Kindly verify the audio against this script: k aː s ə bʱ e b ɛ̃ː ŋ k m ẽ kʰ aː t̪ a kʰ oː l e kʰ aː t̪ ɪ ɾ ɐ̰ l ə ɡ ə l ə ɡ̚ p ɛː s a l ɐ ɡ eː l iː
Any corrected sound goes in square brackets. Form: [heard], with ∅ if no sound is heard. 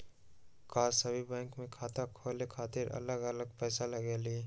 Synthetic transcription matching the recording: k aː s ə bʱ [i] b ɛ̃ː ŋ k m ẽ kʰ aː t̪ a kʰ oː l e kʰ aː t̪ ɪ ɾ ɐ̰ l ə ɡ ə l ə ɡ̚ p ɛː s a l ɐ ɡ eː l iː

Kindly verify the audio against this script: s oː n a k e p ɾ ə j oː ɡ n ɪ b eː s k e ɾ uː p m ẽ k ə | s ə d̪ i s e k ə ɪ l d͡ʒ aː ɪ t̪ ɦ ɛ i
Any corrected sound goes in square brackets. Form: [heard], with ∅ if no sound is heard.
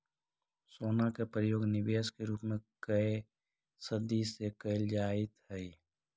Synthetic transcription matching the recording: s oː n a k e p ɾ ə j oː ɡ n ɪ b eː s k e ɾ uː p m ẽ k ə | s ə d̪ i s e k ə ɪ l d͡ʒ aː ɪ t̪ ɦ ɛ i

